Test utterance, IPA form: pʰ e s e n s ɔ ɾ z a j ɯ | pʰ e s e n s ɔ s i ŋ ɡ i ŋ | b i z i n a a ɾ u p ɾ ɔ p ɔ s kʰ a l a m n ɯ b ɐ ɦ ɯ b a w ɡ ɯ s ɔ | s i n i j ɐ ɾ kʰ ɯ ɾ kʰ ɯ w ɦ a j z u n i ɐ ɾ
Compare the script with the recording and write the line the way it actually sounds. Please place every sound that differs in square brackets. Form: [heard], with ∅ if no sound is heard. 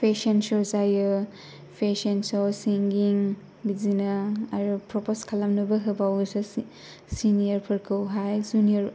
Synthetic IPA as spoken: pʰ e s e n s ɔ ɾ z a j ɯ | pʰ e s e n s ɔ s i ŋ ɡ i ŋ | b i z i n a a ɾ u p ɾ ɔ p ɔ s kʰ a l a m n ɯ b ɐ ɦ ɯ b a w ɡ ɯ s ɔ | s i n i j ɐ ɾ [pʰ] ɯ ɾ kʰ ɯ w ɦ a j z u n i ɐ ɾ